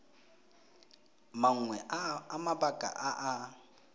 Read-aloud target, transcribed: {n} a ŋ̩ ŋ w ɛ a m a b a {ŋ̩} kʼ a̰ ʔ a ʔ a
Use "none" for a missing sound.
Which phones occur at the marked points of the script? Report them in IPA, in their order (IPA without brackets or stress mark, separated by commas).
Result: m, none